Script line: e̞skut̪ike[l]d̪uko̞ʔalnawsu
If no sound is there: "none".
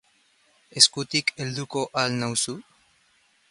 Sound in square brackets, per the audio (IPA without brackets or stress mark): l